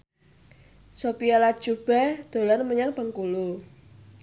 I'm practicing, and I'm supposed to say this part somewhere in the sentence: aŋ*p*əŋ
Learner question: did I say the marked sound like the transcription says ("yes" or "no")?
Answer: yes